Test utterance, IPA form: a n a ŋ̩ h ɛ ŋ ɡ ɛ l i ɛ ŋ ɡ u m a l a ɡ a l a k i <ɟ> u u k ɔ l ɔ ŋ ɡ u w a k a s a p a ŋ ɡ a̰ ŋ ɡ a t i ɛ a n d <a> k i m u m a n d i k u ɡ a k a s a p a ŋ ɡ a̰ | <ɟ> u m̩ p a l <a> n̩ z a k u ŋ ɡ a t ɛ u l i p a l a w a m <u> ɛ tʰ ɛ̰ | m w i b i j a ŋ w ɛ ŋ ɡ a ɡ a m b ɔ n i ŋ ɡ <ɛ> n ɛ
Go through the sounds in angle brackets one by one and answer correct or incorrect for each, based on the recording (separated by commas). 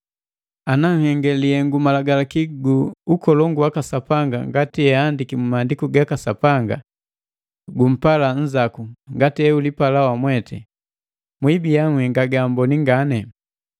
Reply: incorrect, incorrect, incorrect, correct, incorrect, incorrect